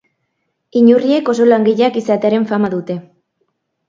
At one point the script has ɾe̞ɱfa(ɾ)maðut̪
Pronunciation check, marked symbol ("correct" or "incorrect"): incorrect